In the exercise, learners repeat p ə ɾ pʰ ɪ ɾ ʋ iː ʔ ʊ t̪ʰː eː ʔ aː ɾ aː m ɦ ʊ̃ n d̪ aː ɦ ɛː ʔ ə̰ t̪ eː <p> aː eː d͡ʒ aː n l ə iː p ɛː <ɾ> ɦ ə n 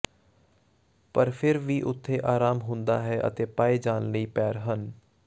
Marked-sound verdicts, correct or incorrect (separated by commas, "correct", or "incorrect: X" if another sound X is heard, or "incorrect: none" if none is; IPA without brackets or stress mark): correct, correct